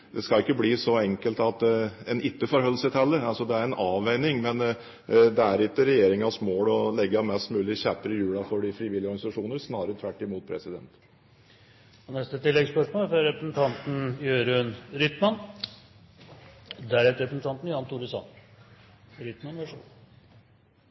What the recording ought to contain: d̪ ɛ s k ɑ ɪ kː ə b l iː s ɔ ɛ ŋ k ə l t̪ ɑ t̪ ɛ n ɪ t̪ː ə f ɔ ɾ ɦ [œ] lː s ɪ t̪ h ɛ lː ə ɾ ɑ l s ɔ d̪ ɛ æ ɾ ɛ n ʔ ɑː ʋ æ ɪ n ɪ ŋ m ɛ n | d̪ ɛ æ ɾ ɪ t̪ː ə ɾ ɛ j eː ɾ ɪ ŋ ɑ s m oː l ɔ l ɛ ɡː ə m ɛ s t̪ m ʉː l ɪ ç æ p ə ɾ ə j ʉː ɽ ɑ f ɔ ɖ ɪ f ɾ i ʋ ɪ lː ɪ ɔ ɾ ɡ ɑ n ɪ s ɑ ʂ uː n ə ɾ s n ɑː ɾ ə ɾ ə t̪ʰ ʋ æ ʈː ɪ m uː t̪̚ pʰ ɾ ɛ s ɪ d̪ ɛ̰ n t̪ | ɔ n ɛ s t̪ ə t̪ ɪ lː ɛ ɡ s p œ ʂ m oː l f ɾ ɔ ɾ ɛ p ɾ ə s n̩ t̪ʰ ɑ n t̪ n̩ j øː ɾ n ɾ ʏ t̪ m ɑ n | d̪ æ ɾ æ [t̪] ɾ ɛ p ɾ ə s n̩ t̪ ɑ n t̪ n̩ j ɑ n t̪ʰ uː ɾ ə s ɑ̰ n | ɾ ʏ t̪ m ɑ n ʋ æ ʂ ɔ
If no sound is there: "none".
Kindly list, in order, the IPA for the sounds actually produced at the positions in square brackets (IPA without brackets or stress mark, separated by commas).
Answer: œ, t̪